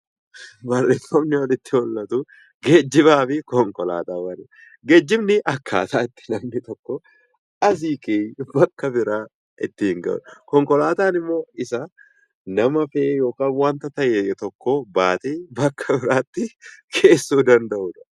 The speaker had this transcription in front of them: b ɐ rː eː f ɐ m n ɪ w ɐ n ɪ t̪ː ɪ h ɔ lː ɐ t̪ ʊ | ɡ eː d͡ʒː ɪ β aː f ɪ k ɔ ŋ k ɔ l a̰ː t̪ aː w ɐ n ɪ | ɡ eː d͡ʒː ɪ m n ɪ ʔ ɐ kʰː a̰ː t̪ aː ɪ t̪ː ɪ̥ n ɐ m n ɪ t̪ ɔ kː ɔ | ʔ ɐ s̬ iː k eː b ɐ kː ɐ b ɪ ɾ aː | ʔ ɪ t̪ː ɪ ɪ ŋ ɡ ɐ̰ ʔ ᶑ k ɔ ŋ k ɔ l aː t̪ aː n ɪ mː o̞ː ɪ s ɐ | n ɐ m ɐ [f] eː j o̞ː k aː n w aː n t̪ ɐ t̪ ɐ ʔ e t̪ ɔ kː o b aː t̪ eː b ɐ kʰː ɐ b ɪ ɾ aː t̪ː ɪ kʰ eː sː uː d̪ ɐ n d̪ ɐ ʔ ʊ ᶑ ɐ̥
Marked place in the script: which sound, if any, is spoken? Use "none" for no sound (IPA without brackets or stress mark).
f